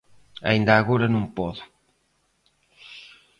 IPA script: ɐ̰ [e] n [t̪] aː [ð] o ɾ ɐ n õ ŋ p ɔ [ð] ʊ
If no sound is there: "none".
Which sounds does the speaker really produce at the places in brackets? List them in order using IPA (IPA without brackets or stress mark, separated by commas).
i, d̪, ɣ, ð